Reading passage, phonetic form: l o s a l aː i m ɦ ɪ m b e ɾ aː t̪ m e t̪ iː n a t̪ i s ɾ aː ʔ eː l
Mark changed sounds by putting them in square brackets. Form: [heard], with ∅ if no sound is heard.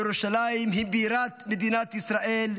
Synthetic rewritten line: [ɾ] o [ʃ] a l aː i m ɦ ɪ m b [i] ɾ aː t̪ m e [d̪] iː n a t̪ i s ɾ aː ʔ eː l